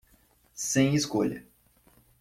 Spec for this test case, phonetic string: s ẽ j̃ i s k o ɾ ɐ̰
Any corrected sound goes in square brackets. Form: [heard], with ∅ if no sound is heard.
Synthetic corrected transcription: s ẽ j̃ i s k o [ʎ] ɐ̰